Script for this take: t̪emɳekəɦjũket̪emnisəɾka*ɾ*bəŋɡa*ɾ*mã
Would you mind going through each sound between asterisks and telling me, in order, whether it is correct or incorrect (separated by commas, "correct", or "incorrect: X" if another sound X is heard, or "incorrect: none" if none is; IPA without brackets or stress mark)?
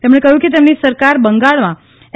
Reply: correct, incorrect: ɭ